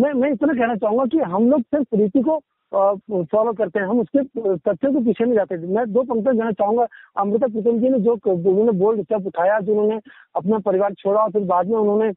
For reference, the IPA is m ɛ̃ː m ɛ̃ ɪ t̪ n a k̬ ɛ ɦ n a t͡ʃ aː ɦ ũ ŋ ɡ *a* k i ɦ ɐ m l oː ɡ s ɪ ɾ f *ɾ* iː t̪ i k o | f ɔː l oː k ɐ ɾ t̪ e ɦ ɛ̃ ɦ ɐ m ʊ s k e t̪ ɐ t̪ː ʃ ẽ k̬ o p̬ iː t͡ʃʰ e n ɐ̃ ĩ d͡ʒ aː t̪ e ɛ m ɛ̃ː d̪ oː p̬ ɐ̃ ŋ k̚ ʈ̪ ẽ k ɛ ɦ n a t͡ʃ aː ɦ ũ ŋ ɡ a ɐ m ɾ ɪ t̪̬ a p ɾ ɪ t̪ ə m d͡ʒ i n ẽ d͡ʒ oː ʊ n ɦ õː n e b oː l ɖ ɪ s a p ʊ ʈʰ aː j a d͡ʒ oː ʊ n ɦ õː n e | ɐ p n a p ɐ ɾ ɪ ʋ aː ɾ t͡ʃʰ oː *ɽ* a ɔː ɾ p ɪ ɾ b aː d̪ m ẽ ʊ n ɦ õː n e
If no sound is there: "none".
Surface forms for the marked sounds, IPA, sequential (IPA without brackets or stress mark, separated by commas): a, ɾ, ɽ